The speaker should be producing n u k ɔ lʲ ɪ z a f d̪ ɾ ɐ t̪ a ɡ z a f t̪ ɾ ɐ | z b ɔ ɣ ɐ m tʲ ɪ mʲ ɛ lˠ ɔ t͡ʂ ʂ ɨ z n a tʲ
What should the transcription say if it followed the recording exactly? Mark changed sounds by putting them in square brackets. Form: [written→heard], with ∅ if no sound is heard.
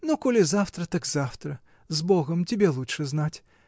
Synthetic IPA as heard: n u k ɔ lʲ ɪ z a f [d̪→t̪] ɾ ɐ t̪ a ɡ z a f t̪ ɾ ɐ | z b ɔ ɣ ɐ m tʲ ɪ [mʲ→bʲ] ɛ lˠ [ɔ→u] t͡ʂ ʂ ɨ z n a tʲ